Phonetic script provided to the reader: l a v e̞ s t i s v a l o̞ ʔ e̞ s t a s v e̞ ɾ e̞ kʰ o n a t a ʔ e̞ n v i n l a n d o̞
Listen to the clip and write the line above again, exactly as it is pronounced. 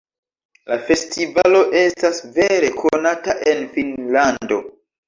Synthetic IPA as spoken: l a f e̞ s t i v a l o̞ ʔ e̞ s t a s v e̞ ɾ e̞ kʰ o n a t a ʔ e̞ n f i n l a n d o̞